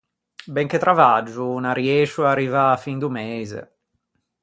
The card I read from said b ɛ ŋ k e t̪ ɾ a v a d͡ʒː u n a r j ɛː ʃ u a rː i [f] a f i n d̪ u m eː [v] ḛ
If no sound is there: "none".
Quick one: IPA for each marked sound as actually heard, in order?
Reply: v, z

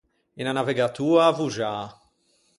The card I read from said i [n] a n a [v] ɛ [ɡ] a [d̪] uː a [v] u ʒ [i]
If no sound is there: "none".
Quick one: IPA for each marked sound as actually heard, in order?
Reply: n, v, ɡ, t̪, v, a

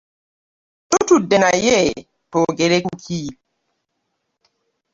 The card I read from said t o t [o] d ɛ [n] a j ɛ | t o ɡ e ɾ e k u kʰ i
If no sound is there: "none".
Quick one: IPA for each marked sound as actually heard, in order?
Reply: u, n

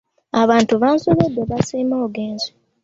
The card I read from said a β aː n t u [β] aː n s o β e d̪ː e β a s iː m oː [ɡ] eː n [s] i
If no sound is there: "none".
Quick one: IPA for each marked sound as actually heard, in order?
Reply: β, ɡ, z

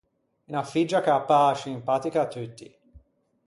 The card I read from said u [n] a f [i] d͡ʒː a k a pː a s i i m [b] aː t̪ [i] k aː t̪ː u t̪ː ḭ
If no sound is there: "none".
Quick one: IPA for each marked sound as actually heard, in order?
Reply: n, i, p, i

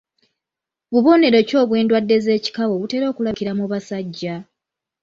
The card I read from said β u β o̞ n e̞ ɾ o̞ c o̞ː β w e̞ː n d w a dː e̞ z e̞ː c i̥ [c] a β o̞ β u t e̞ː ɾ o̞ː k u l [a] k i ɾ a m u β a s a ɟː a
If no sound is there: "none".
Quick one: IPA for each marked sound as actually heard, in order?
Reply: k, a

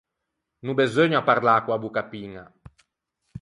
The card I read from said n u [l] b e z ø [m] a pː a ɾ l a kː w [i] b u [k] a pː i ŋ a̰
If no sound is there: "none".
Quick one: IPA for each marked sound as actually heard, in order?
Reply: none, ɲ, a, k

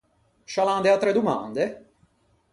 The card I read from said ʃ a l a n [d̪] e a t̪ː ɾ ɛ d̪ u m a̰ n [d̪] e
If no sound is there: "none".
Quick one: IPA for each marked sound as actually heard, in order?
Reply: d̪, d̪

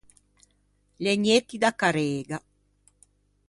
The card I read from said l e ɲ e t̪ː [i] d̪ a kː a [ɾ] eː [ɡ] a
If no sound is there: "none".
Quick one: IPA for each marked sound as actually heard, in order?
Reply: i, ɾ, ɡ

